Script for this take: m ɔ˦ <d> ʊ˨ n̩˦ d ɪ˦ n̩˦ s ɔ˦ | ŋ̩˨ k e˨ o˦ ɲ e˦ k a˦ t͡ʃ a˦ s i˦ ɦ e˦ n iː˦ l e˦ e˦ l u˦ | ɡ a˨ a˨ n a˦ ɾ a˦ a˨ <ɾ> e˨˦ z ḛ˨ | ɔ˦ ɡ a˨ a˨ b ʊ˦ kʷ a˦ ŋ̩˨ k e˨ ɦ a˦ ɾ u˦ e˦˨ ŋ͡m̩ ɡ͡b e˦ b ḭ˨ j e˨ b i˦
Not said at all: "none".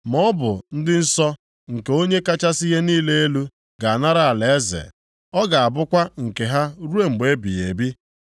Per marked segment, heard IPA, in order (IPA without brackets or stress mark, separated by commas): b, l